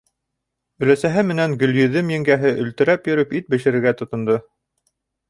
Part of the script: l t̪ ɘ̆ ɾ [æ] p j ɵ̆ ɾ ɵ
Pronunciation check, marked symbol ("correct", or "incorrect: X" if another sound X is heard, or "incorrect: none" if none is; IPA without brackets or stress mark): correct